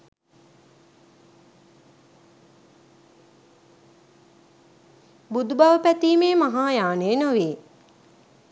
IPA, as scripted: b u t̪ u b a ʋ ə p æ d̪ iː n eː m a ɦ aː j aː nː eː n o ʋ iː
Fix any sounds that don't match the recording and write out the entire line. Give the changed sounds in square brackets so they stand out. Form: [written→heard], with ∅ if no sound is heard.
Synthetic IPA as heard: b u [t̪→d̪] u b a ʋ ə p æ [d̪→t̪] iː [n→m] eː m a ɦ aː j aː [nː→n] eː n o ʋ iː